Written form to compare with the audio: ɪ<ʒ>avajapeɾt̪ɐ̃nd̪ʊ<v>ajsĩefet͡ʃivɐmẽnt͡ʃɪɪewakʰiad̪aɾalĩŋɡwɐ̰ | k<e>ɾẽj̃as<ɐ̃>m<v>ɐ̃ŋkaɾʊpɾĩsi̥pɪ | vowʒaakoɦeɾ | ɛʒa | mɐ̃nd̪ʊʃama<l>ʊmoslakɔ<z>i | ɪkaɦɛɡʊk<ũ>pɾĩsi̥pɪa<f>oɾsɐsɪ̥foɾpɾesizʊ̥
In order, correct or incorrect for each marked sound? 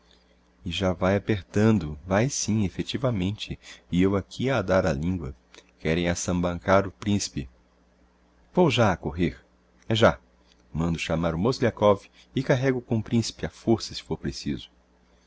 correct, correct, incorrect: ɛ, correct, incorrect: b, incorrect: ɾ, incorrect: v, incorrect: õ, correct

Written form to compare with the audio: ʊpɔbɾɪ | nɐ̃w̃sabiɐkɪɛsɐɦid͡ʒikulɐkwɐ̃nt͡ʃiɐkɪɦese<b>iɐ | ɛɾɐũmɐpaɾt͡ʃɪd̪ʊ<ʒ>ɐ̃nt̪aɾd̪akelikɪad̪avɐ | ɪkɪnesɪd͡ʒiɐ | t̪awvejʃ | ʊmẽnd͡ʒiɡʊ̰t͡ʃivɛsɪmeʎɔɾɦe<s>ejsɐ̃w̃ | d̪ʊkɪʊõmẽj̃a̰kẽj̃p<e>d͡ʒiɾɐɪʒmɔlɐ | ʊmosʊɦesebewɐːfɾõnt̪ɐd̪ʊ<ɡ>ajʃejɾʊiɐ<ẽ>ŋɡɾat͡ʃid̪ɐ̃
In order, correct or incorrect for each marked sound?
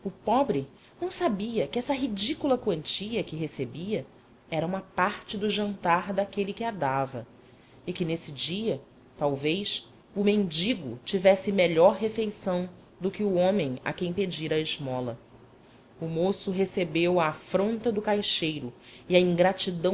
correct, correct, incorrect: f, correct, incorrect: k, incorrect: ĩ

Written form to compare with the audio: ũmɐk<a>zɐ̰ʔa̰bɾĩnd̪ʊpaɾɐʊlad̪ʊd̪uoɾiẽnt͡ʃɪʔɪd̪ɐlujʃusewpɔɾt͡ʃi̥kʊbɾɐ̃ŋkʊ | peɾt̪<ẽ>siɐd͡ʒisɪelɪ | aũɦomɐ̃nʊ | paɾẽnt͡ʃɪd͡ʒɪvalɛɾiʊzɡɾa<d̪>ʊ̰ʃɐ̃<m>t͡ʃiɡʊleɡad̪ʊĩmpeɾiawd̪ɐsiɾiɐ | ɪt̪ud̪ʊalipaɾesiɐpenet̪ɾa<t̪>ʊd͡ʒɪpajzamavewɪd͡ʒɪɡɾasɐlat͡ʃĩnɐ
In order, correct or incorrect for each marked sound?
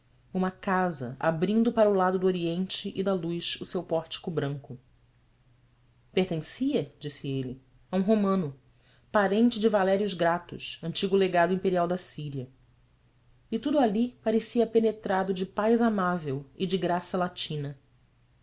correct, correct, incorrect: t̪, incorrect: n, incorrect: d̪

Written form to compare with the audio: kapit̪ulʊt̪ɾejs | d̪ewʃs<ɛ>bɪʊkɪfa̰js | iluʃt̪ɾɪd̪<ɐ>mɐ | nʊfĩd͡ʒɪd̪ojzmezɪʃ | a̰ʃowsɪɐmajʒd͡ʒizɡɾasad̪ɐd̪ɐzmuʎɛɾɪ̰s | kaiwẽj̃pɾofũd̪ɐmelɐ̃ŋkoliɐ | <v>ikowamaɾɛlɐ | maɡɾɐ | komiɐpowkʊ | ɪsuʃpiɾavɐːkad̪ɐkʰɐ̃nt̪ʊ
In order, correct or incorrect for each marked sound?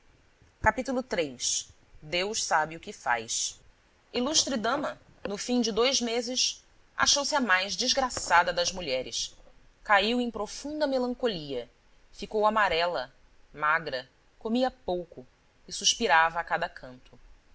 incorrect: a, incorrect: ɐ̃, incorrect: f

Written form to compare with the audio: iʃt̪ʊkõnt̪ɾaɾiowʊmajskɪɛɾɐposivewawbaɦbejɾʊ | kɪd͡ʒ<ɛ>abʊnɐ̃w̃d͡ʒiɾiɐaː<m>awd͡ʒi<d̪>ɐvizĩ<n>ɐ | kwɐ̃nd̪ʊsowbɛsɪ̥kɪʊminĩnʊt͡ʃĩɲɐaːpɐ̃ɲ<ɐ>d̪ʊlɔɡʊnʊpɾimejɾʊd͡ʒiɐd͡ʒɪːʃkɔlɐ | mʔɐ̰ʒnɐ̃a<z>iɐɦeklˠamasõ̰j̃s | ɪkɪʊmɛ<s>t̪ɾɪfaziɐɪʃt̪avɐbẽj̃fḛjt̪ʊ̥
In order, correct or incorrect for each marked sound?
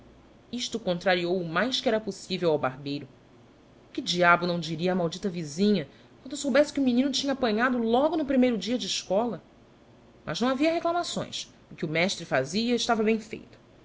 incorrect: i, correct, incorrect: t̪, incorrect: ɲ, incorrect: a, incorrect: v, incorrect: ʃ

